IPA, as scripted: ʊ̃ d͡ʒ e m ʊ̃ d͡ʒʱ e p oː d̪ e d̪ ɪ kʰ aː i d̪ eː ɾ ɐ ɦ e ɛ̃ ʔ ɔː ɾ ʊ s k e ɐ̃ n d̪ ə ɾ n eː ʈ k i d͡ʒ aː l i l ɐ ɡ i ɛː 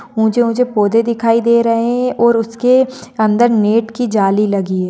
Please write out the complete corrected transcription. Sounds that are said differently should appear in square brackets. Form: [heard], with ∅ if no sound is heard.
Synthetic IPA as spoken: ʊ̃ d͡ʒ e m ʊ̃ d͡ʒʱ e p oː d̪ e d̪ ɪ kʰ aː i d̪ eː ɾ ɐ ɦ e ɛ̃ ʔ ɔː ɾ ʊ s k e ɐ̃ n d̪ ə ɾ n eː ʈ k i d͡ʒ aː l i l ɐ ɡ i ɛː